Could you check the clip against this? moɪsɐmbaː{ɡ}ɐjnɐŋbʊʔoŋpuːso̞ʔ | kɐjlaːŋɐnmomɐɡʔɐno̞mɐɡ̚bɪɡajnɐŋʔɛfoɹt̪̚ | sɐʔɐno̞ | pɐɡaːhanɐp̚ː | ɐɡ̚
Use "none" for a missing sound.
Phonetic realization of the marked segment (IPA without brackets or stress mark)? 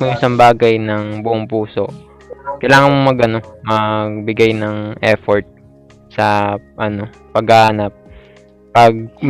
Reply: ɡ